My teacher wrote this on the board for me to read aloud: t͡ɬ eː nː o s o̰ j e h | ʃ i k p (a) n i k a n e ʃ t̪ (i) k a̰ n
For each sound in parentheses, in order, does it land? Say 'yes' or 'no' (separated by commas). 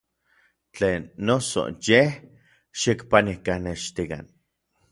yes, yes